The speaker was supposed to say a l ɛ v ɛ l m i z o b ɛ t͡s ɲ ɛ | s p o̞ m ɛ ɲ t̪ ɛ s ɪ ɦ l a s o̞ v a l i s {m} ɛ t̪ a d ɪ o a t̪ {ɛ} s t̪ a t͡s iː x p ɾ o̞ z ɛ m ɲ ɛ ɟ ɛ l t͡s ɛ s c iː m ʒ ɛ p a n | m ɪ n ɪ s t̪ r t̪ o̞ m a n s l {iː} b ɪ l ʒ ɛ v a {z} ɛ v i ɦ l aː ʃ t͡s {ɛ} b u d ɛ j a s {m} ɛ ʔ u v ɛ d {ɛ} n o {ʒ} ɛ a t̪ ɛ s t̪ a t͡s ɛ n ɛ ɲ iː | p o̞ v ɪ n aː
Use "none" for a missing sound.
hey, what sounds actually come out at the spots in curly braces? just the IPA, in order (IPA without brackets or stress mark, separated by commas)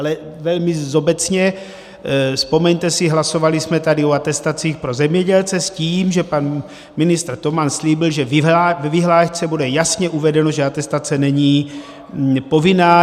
m, ɛ, iː, v, ɛ, ɲ, ɛ, ʒ